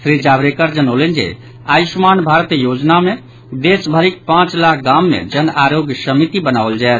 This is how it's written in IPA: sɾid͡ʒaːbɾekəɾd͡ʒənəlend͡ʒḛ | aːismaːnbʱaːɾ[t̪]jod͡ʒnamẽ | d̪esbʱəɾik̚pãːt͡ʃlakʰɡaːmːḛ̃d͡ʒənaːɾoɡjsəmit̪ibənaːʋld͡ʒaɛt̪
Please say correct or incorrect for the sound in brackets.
correct